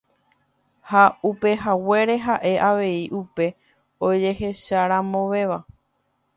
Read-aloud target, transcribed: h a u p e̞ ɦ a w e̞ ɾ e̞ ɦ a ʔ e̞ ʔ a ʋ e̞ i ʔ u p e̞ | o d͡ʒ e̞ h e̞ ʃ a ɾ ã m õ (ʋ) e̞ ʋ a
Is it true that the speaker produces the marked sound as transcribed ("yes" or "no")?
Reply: yes